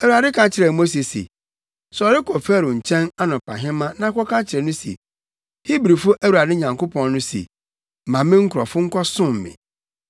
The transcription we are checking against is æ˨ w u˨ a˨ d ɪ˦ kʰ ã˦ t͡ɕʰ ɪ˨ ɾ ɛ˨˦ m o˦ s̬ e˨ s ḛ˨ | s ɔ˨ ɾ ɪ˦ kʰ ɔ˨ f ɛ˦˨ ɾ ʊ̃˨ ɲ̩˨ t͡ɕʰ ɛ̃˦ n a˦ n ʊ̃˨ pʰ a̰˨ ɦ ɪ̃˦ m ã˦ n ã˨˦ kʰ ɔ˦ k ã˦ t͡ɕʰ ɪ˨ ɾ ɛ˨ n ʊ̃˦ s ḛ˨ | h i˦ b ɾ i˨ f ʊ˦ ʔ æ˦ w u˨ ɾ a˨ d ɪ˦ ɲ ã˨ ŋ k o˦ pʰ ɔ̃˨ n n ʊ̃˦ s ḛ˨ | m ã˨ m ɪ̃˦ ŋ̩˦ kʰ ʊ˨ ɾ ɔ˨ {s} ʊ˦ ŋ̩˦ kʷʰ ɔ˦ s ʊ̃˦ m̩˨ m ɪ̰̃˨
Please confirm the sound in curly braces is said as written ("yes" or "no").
no